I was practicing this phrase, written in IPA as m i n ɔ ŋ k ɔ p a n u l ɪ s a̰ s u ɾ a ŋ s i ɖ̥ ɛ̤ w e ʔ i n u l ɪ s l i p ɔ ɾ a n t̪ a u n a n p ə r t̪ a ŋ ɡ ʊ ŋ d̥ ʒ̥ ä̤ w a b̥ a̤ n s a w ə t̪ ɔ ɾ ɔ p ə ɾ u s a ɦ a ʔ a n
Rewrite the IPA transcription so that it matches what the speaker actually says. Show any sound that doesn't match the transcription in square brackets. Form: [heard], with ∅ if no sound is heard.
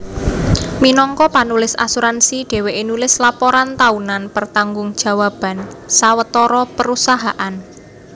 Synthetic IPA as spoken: m i n ɔ ŋ k ɔ p a n u l ɪ s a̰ s u ɾ a [n] s i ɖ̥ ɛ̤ w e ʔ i n u l ɪ s l [a] p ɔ ɾ a n t̪ a u n a n p ə r t̪ a ŋ ɡ ʊ ŋ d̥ ʒ̥ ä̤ w a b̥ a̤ n s a w ə t̪ ɔ ɾ ɔ p ə ɾ u s a ɦ a ʔ a n